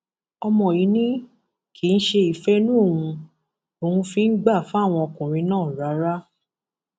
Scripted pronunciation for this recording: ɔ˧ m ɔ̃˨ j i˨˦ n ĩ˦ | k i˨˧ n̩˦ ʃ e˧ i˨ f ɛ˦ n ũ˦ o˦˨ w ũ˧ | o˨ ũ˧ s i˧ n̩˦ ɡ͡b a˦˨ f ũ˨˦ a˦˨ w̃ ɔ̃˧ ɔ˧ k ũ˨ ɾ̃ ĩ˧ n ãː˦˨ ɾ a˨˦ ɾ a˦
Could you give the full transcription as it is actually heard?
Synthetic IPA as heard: ɔ˧ m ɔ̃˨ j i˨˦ n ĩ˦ | k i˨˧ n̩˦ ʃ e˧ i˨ f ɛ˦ n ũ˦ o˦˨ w ũ˧ | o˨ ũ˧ f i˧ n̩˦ ɡ͡b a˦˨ f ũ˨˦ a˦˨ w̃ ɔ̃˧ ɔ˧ k ũ˨ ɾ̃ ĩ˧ n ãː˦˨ ɾ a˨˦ ɾ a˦